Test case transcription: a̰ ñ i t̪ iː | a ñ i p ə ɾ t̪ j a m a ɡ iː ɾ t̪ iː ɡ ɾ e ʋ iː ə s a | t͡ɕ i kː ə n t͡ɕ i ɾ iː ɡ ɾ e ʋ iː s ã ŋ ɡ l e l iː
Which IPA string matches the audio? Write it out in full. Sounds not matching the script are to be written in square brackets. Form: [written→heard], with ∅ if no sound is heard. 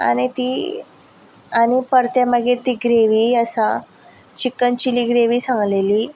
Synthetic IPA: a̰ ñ i t̪ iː | a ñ i p ə ɾ t̪ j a m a ɡ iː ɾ t̪ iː ɡ ɾ e ʋ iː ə s a | t͡ɕ i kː ə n t͡ɕ i [ɾ→l] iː ɡ ɾ e ʋ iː s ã ŋ ɡ l e l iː